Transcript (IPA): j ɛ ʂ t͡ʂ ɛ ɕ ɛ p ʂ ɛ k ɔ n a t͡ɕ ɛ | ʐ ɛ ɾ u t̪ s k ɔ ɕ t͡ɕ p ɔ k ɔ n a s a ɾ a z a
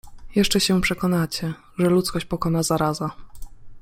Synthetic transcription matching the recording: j ɛ ʂ t͡ʂ ɛ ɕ ɛ p ʂ ɛ k ɔ n a t͡ɕ ɛ | ʐ ɛ l u t̪ s k ɔ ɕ t͡ɕ p ɔ k ɔ n a z a ɾ a z a